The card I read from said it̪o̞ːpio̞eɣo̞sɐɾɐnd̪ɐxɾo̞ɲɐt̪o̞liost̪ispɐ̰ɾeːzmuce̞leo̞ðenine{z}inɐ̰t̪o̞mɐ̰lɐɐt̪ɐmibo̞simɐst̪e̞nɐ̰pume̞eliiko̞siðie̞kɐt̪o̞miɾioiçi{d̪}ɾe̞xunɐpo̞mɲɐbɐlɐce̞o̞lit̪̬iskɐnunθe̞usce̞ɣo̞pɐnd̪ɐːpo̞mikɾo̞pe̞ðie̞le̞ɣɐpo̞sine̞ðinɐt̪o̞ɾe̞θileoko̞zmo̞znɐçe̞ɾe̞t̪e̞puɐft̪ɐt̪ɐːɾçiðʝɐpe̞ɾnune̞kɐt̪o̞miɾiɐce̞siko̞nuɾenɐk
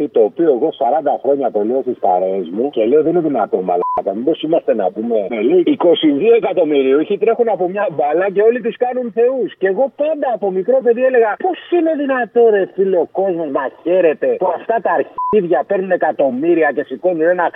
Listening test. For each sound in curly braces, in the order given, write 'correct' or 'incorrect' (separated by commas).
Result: incorrect, incorrect